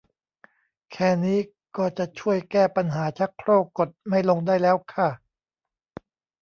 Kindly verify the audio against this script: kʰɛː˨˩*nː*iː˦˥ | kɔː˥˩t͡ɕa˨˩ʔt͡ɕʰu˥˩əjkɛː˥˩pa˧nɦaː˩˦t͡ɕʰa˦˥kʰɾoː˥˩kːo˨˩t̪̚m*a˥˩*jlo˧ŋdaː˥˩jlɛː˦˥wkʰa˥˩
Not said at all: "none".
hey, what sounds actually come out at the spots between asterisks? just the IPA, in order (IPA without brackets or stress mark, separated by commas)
n, a˥˩